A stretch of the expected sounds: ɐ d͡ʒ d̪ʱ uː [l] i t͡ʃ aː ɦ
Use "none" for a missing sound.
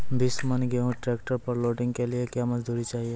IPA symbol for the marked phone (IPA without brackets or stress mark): ɾ